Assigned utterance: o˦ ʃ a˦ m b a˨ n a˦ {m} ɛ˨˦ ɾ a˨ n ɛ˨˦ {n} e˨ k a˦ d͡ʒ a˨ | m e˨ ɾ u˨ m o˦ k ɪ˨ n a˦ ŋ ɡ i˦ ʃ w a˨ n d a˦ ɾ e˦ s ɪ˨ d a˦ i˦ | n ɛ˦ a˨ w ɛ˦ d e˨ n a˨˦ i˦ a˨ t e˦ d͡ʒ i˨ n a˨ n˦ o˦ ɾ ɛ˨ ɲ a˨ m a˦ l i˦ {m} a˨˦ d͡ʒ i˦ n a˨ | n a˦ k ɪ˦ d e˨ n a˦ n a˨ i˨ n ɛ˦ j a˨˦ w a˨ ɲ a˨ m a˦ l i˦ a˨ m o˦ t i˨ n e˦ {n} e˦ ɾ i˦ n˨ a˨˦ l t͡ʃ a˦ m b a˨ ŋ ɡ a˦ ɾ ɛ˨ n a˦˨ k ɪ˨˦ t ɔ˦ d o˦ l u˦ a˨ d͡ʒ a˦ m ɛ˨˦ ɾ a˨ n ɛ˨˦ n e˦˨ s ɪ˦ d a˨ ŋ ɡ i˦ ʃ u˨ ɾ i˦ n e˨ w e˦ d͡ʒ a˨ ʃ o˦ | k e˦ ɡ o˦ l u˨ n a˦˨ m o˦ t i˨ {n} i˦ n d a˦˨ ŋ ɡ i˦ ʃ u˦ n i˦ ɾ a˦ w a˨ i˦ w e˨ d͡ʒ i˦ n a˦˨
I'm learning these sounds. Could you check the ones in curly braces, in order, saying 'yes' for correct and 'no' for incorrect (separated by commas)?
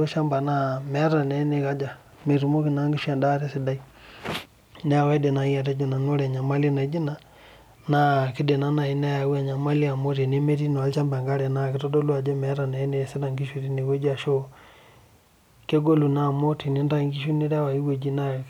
yes, yes, no, no, yes